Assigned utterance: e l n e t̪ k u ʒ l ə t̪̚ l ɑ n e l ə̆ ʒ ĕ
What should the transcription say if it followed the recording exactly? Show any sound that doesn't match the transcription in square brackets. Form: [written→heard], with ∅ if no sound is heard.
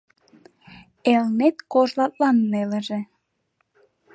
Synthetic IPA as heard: e l n e t̪ k [u→o] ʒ l [ə→ɑ] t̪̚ l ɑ [n→nː] e l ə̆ ʒ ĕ